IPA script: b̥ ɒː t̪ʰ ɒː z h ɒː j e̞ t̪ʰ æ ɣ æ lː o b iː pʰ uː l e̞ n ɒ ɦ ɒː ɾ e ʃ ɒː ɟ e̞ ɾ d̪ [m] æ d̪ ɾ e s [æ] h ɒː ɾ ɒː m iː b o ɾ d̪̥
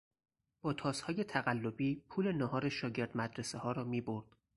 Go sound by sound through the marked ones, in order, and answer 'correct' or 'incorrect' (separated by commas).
correct, incorrect